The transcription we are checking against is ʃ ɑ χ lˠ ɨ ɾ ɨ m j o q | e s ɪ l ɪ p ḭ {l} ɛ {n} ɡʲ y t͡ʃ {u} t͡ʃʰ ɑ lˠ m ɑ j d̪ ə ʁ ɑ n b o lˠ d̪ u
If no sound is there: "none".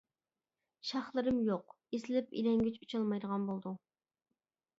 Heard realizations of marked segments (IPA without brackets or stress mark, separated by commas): l, ŋ, u